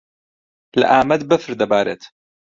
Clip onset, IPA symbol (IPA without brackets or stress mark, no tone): l